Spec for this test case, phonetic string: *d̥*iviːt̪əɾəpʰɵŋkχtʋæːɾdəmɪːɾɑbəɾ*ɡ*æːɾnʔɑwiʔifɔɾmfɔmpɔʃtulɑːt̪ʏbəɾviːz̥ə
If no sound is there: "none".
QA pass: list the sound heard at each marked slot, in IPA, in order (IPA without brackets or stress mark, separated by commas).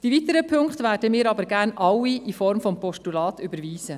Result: d̥, ɡ